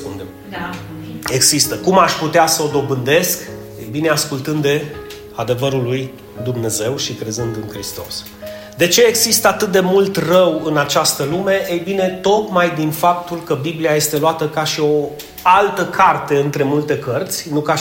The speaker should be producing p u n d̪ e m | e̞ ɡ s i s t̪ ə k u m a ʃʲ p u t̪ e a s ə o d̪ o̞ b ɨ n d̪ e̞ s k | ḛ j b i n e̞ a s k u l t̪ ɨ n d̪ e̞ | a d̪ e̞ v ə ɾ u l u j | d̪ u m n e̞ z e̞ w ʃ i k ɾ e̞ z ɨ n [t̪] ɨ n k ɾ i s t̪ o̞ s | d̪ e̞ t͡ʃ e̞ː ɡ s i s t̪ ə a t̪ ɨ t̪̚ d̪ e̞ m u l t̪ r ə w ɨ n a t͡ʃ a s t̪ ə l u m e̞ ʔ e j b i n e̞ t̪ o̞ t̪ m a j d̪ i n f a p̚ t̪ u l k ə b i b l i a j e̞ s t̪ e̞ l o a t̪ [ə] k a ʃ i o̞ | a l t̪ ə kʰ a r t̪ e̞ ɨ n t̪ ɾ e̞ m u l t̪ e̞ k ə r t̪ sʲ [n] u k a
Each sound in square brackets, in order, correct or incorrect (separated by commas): incorrect, correct, correct